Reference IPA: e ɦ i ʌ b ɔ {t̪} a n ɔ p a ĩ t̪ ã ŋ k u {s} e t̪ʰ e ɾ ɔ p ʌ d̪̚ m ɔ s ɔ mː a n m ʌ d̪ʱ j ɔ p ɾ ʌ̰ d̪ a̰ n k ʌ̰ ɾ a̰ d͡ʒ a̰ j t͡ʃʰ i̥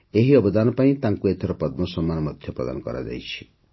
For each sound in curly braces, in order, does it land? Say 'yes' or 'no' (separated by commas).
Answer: no, no